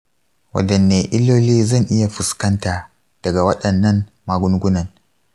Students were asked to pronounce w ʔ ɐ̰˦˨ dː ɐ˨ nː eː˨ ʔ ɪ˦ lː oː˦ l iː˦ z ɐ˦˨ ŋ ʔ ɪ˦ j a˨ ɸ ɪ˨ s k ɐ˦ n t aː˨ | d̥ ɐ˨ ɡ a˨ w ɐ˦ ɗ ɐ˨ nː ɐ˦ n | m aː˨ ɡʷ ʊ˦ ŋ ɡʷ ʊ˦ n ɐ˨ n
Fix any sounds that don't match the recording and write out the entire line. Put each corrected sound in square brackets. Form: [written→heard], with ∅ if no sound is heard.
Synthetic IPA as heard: w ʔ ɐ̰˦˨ [dː→d] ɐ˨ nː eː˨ ʔ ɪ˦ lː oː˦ l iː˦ z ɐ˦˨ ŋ ʔ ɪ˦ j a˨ ɸ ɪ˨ s k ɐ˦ n t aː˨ | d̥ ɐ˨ ɡ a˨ w ɐ˦ ɗ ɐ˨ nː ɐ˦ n | m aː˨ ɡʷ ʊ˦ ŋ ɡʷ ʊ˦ n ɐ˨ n